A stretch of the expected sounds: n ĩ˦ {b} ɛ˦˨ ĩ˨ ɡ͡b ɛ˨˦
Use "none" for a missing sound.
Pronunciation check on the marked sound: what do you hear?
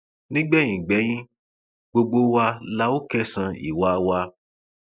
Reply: ɡ͡b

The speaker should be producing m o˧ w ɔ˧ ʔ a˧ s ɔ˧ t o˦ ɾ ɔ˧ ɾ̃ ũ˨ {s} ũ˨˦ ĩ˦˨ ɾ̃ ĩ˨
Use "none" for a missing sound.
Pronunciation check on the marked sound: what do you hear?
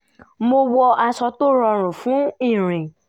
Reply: f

